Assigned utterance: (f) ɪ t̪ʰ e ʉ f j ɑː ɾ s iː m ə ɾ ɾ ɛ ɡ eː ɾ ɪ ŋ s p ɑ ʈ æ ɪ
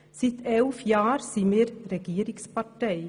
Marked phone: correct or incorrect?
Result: incorrect